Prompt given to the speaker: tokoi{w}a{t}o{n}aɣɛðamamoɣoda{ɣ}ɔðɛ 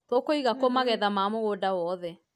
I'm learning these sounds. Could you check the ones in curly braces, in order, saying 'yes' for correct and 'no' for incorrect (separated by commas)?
no, no, no, no